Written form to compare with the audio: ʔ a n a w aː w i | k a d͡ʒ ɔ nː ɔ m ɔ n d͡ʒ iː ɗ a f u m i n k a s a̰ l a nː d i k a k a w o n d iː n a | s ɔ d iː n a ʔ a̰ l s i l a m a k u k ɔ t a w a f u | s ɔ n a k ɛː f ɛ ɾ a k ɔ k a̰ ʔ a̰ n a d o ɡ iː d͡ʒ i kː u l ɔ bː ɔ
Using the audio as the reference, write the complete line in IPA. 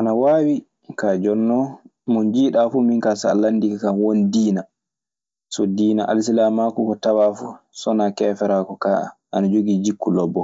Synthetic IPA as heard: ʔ a n a w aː w i | k a d͡ʒ ɔ nː ɔ m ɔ n d͡ʒ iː ɗ a f u m i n k a s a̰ l a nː d i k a k a w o n d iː n a | s ɔ d iː n a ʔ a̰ l s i l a m a k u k ɔ t a w a f u | s ɔ n a k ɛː f ɛ ɾ a k ɔ k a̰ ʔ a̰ n a d͡ʒ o ɡ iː d͡ʒ i kː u l ɔ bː ɔ